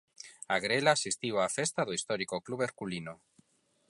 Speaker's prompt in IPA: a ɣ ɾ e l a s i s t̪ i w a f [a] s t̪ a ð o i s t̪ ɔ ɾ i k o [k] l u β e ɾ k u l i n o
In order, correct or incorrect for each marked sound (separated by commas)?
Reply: incorrect, correct